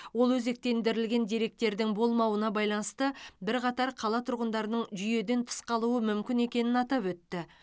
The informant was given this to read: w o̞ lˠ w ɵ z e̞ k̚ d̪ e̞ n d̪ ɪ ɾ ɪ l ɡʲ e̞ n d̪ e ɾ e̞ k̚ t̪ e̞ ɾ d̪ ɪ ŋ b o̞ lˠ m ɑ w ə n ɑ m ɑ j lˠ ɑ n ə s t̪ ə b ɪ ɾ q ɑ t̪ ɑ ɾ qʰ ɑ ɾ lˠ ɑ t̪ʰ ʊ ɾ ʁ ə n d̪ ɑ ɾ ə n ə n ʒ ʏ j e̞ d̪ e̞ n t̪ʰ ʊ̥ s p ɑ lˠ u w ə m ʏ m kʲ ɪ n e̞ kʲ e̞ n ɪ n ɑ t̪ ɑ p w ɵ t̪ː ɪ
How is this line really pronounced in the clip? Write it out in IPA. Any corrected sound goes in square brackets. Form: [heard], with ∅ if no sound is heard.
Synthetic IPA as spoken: w o̞ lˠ w ɵ z e̞ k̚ [t̪] e̞ n d̪ ɪ ɾ ɪ l ɡʲ e̞ n d̪ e ɾ e̞ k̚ t̪ e̞ ɾ d̪ ɪ ŋ b o̞ lˠ m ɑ w ə n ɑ [b] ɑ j lˠ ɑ n ə s t̪ ə b ɪ ɾ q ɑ t̪ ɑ ɾ qʰ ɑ [∅] lˠ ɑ t̪ʰ ʊ ɾ ʁ ə n d̪ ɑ ɾ ə n ə [ɴ] ʒ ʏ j e̞ d̪ e̞ n t̪ʰ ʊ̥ s [q] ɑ lˠ u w ə m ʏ m kʲ ɪ n e̞ kʲ e̞ n ɪ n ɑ t̪ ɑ p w ɵ t̪ː ɪ